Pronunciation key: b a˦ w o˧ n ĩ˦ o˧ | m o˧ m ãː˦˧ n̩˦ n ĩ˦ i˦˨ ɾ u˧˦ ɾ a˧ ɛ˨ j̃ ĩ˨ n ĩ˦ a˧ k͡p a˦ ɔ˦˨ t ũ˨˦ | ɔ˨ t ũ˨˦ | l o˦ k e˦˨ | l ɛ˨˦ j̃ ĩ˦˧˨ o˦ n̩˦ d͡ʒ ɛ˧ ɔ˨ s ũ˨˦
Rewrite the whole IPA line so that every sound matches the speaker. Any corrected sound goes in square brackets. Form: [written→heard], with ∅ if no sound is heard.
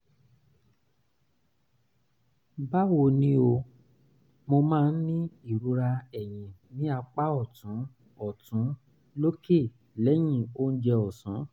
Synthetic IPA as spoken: b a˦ w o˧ n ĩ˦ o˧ | m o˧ m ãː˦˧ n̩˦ n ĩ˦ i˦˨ ɾ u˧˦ ɾ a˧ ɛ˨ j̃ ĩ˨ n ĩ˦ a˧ k͡p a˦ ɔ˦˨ t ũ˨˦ | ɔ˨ t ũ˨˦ | l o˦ k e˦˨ | l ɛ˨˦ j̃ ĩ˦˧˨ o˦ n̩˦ d͡ʒ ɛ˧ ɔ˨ s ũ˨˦